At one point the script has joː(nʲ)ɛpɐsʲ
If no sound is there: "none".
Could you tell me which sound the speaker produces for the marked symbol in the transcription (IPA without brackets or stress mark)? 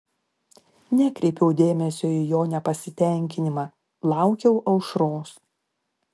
nʲ